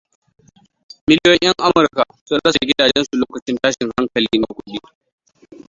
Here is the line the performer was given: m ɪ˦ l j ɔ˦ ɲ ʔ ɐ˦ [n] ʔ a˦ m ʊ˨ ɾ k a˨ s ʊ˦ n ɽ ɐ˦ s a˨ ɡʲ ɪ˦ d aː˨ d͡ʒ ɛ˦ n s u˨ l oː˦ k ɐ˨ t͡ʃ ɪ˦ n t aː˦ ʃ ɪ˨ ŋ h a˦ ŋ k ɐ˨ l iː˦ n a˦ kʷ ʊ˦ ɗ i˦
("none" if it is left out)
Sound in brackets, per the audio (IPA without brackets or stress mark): ŋ